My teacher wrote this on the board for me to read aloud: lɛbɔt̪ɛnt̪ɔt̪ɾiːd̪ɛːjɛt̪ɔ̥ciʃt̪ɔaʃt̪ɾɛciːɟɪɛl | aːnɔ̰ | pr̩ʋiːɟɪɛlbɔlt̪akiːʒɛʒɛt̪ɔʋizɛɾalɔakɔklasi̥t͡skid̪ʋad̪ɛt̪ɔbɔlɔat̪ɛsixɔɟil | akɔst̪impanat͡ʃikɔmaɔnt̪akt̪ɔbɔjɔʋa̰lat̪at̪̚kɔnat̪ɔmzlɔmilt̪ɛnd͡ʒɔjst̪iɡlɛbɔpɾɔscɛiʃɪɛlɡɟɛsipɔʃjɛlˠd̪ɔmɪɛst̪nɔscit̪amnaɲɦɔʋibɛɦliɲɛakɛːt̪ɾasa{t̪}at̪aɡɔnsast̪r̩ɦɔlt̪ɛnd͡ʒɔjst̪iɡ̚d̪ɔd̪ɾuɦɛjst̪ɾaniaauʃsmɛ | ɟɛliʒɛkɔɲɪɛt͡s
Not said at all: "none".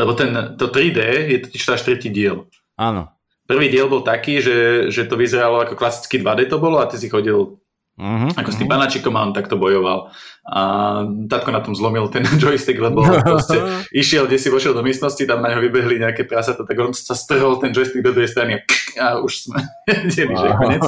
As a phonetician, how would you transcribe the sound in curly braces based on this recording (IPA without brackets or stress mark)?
t̪